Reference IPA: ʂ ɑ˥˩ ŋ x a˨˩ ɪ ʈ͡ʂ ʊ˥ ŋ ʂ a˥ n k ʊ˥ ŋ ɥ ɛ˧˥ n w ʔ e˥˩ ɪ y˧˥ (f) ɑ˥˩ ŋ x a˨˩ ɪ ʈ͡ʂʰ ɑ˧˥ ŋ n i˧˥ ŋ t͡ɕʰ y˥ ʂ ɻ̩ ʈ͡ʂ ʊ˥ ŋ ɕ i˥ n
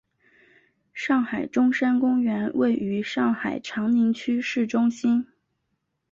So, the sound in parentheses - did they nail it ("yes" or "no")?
no